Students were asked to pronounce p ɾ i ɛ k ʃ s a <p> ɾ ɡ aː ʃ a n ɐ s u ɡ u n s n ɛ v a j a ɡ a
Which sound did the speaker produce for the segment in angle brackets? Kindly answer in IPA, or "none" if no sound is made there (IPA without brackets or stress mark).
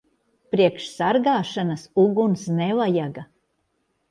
none